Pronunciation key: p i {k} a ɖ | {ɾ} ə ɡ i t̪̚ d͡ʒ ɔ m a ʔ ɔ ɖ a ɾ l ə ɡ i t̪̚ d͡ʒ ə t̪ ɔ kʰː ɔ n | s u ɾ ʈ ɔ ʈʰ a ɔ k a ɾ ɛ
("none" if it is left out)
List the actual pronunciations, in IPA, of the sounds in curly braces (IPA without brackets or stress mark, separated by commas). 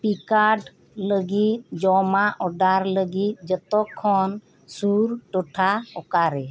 k, l